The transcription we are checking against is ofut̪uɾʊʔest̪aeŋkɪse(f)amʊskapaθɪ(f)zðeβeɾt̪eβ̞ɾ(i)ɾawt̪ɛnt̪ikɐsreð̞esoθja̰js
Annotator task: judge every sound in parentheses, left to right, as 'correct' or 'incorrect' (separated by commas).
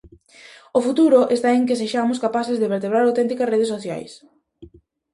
incorrect, incorrect, incorrect